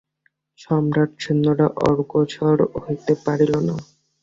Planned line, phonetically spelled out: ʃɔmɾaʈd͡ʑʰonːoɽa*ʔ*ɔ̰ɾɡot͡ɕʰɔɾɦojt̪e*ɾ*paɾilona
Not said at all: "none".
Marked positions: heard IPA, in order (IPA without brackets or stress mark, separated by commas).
ʔ, none